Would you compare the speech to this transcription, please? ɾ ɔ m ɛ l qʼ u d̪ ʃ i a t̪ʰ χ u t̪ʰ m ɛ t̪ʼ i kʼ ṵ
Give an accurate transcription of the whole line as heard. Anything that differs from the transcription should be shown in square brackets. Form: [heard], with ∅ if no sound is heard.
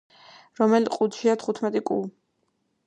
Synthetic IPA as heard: ɾ ɔ m ɛ l qʼ u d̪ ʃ i a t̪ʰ χ u t̪ʰ m ɛ t̪ʼ i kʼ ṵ